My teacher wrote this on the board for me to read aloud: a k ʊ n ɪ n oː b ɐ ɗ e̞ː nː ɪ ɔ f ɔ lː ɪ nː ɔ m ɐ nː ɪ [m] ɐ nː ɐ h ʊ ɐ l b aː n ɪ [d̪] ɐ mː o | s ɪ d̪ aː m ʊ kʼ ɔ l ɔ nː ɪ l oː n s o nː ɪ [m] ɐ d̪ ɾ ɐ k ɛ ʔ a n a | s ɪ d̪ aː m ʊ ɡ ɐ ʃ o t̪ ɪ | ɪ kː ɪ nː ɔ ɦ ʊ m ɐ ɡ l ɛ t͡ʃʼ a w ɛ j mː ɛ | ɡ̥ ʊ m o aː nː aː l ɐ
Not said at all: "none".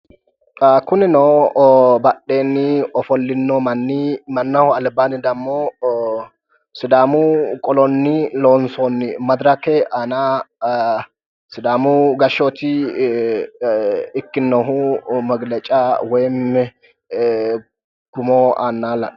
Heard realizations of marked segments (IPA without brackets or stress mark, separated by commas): m, d̪, m